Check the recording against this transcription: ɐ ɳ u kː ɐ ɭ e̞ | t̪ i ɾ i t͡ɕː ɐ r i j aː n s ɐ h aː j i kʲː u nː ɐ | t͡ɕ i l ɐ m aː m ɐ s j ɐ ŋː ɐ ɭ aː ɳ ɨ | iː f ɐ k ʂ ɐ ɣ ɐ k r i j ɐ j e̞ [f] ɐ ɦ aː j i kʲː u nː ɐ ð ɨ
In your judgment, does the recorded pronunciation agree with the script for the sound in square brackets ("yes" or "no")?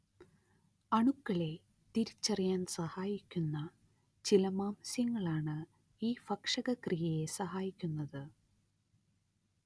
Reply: no